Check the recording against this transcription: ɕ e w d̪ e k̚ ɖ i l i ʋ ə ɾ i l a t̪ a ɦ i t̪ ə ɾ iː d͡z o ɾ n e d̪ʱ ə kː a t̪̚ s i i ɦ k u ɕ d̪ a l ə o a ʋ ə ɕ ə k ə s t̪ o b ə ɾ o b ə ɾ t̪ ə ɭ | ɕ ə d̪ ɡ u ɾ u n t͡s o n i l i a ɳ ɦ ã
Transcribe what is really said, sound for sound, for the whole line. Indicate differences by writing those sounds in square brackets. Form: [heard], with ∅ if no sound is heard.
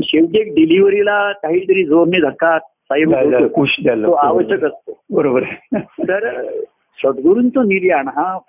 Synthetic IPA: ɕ e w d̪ e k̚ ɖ i l i ʋ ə ɾ i l a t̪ a ɦ i t̪ ə ɾ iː d͡z o ɾ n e d̪ʱ ə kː a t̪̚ s [a] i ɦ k u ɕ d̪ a l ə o a ʋ ə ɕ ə k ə s t̪ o b ə ɾ o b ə ɾ t̪ ə [ɾ] | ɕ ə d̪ ɡ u ɾ u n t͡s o n i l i a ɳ ɦ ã